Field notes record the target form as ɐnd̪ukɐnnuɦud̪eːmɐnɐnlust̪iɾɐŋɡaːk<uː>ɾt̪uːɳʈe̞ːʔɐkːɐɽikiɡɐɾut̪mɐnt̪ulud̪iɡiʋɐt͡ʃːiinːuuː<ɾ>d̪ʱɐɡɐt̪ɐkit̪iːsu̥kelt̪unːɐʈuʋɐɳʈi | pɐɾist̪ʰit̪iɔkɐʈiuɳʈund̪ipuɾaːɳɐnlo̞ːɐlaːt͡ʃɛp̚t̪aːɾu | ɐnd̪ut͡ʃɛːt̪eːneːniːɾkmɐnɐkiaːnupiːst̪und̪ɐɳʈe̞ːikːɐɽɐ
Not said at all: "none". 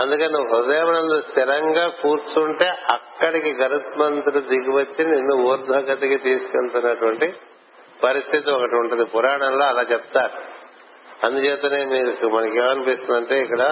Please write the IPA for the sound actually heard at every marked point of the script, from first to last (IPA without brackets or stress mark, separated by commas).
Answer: uː, ɾ